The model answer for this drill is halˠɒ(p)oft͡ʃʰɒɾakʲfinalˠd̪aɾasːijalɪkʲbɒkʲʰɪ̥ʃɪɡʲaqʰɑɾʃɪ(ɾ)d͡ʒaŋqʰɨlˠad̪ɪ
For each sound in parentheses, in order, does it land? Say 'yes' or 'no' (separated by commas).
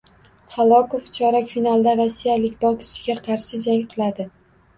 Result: no, no